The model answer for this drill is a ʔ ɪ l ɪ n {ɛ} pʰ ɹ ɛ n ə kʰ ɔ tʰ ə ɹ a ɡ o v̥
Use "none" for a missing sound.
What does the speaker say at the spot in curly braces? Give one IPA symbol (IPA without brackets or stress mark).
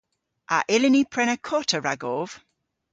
i